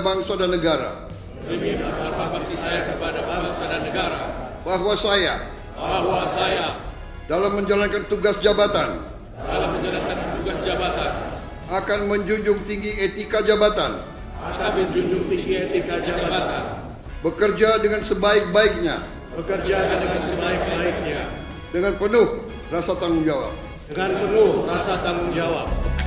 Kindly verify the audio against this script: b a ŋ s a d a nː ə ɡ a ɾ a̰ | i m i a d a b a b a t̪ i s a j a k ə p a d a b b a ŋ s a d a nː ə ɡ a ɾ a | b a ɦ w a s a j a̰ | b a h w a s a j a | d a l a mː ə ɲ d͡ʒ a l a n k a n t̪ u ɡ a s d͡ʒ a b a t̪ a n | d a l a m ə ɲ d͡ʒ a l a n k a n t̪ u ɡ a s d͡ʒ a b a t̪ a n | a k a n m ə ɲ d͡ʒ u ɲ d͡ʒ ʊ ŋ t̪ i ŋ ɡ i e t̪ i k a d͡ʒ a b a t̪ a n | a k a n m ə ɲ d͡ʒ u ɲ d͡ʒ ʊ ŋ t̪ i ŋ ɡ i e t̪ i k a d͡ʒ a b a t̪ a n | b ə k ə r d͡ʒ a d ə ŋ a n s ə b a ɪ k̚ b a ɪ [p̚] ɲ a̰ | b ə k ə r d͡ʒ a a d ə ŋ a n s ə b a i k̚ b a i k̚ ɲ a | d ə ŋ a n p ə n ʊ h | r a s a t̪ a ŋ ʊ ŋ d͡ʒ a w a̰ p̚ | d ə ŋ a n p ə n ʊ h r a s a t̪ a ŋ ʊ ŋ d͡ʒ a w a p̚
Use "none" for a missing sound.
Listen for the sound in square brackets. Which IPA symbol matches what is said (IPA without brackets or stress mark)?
k̚